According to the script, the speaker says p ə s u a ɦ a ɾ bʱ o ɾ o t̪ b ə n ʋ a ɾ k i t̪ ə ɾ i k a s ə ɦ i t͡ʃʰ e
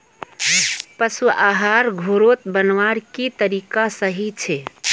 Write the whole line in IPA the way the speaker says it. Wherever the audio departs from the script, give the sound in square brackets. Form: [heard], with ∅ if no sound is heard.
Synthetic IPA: p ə s u a ɦ a ɾ [ɡʱ] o ɾ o t̪ b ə n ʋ a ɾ k i t̪ ə ɾ i k a s ə ɦ i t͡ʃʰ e